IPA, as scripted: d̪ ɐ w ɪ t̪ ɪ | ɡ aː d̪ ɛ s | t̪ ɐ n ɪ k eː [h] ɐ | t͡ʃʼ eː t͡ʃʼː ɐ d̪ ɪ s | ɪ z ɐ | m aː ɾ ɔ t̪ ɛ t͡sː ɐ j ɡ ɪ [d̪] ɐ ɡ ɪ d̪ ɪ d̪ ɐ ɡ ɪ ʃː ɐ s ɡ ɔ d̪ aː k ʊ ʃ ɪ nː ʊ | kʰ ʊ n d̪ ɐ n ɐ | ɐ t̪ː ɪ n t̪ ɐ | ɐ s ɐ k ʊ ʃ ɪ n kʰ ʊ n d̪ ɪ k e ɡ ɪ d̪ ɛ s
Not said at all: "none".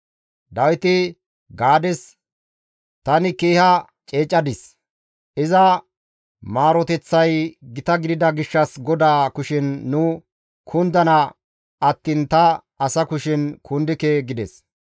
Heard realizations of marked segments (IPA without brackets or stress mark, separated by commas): h, t̪